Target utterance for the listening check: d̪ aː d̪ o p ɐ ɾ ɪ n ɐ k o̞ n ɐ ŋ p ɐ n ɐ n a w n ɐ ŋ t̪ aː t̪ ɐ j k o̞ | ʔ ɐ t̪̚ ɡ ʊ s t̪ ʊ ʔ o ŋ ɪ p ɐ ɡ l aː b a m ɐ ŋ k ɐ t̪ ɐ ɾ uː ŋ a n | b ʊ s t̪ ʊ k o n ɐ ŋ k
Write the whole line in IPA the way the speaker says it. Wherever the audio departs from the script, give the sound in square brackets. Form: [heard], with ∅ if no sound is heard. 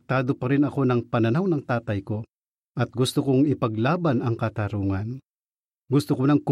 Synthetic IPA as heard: [t̪] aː d̪ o p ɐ ɾ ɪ n ɐ k o̞ n ɐ ŋ p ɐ n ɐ n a w n ɐ ŋ t̪ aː t̪ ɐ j k o̞ | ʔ ɐ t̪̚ ɡ ʊ s t̪ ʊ [k] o ŋ ɪ p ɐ ɡ l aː b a [n] ɐ ŋ k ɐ t̪ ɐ ɾ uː ŋ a n | [ɡ] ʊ s t̪ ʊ k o n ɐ ŋ k